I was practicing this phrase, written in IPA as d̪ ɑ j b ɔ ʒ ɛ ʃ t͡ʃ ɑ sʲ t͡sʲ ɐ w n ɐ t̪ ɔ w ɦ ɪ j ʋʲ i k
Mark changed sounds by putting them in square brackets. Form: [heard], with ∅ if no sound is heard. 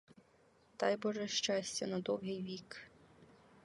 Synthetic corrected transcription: [t̪] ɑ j b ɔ ʒ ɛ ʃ t͡ʃ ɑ sʲ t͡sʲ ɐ [∅] n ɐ [d̪] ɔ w ɦ ɪ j ʋʲ i k